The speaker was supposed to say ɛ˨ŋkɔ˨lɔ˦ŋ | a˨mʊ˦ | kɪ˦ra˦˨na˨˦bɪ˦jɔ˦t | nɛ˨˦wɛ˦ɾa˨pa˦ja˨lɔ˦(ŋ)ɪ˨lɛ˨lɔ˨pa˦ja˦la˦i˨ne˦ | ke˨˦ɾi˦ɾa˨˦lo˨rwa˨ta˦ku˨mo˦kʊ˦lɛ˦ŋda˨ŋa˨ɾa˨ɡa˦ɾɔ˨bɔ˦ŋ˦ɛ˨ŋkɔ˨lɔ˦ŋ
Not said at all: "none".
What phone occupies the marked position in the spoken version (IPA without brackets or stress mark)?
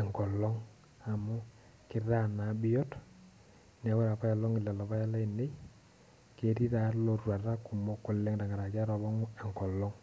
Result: ŋ